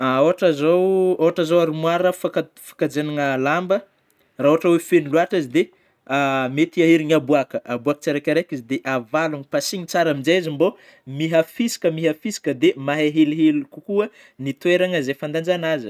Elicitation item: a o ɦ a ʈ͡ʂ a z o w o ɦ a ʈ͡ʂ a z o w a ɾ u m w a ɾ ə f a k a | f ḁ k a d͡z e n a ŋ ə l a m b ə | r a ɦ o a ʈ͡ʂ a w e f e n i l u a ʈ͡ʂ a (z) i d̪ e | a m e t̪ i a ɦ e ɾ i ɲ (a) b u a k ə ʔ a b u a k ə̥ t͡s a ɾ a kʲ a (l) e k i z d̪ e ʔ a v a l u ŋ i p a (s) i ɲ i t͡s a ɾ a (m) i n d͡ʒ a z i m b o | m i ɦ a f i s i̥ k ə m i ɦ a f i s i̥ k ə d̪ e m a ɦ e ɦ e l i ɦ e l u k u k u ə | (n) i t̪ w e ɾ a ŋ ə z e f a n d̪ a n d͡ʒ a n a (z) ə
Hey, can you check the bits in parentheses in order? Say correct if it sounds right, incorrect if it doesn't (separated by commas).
correct, correct, incorrect, correct, correct, correct, correct